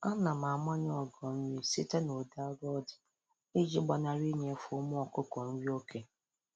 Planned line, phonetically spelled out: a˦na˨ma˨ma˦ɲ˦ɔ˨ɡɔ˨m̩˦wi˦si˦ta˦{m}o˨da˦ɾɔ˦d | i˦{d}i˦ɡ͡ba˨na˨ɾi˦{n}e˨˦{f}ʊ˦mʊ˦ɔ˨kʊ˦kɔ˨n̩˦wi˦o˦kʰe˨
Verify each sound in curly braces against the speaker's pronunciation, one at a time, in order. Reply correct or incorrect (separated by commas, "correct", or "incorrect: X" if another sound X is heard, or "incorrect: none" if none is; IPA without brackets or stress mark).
incorrect: n, incorrect: d͡ʒ, incorrect: ɲ, correct